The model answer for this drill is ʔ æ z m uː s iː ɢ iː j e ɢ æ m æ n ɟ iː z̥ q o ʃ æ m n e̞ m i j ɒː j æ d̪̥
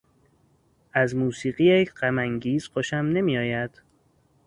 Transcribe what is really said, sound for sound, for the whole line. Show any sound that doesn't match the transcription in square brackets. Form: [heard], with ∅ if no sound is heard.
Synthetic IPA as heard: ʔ æ z m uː s iː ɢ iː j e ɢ æ m æ [ŋ] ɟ iː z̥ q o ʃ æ m n e̞ m i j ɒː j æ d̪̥